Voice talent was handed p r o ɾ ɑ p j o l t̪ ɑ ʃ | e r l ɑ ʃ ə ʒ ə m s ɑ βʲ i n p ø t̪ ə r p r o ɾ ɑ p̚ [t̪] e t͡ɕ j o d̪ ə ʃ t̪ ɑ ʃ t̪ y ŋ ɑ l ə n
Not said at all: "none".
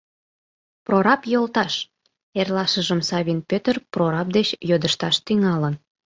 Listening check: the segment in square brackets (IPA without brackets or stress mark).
d̪